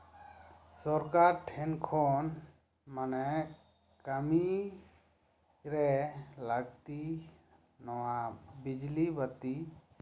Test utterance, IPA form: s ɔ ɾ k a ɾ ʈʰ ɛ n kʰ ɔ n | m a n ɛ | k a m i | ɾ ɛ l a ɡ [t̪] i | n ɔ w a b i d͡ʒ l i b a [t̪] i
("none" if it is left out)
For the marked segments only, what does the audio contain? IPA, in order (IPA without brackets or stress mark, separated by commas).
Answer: t̪, t̪